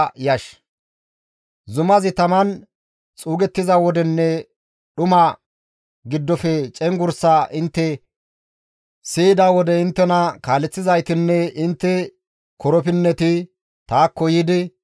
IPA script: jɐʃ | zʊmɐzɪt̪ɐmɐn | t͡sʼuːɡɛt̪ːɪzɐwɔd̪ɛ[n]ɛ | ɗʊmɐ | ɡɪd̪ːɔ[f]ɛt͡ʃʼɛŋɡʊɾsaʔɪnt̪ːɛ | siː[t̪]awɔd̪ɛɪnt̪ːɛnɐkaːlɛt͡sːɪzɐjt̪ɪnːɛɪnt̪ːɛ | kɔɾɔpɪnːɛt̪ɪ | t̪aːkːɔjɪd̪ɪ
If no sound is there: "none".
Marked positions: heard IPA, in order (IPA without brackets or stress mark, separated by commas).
nː, f, d̪